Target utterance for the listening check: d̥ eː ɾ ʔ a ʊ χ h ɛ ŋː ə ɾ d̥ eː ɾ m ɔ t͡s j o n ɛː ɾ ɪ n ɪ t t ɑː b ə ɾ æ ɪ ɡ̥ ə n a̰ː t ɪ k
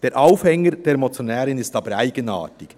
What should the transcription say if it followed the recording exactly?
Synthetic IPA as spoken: d̥ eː ɾ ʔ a ʊ f h ɛ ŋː ə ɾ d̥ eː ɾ m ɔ t͡s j o n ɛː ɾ ɪ n ɪ s t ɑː b ə ɾ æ ɪ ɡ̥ ə n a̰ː t ɪ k